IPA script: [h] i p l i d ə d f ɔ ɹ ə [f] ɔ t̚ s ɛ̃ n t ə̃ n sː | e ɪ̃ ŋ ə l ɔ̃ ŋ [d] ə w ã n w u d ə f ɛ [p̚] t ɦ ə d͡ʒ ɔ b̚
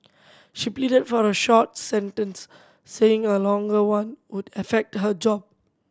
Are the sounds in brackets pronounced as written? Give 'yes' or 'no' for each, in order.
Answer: no, no, no, no

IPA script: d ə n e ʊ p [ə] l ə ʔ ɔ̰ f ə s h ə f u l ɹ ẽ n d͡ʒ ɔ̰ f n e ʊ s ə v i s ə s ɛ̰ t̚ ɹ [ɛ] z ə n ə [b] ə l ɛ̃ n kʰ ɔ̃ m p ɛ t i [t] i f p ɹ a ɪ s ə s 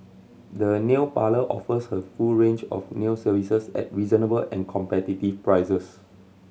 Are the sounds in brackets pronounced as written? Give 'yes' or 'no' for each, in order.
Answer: no, no, yes, yes

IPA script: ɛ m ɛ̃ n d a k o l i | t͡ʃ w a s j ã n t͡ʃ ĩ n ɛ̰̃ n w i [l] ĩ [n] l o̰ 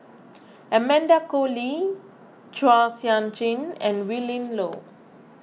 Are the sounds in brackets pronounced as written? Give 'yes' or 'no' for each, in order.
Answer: yes, yes

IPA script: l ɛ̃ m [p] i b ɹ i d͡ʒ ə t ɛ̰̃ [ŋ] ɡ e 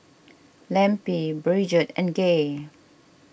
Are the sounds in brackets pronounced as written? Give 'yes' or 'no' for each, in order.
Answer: yes, no

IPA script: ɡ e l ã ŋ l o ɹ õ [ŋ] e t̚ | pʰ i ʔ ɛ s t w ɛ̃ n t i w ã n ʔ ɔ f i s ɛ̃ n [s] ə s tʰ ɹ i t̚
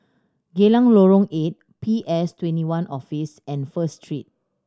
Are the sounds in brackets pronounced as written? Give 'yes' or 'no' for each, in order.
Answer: yes, no

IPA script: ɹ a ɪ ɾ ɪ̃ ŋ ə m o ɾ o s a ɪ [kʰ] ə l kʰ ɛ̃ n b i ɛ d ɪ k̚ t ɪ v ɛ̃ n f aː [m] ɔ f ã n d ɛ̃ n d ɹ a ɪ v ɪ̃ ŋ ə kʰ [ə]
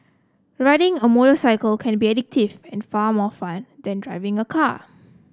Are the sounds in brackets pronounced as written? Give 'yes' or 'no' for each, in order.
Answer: no, yes, no

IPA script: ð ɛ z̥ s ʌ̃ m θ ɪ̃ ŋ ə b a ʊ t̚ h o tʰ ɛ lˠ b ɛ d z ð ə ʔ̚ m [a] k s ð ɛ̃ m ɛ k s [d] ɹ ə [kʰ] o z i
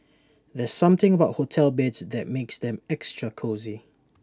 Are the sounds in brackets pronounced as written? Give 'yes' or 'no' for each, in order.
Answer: no, no, yes

